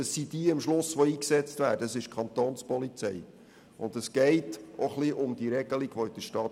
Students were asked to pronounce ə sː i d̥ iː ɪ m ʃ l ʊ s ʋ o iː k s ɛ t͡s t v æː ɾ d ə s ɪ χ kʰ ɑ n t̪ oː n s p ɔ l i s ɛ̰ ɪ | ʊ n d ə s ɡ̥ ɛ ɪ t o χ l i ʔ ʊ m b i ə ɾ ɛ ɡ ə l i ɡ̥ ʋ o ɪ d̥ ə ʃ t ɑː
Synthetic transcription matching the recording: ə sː i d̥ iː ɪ m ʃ l ʊ s ʋ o iː k s ɛ t͡s t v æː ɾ d ə s ɪ ʃ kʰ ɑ n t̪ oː n s p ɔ l i t͡s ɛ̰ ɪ | ʊ n d ə s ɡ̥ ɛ ɪ t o χ l i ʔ ʊ m d i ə ɾ ɛ ɡ ə l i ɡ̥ ʋ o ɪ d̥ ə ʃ t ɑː